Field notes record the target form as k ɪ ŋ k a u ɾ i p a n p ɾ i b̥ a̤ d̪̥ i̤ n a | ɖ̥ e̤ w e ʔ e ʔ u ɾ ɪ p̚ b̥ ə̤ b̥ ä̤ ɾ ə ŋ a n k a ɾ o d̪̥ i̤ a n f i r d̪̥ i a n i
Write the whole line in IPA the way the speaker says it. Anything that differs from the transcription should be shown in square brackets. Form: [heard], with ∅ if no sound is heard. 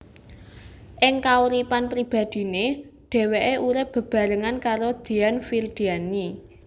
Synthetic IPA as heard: [ʔ] ɪ ŋ k a u ɾ i p a n p ɾ i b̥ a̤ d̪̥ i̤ n [e] | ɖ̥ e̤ w e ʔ e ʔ u ɾ ɪ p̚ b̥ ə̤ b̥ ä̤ ɾ ə ŋ a n k a ɾ o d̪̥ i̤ a n f i r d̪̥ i a n i